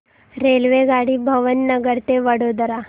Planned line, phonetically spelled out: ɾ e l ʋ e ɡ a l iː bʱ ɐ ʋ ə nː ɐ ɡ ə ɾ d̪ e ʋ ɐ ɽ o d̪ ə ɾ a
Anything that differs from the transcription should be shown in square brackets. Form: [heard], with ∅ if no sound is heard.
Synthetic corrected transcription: ɾ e l ʋ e ɡ a [ɽ] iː bʱ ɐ ʋ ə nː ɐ ɡ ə ɾ [t̪] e ʋ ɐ ɽ o d̪ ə ɾ a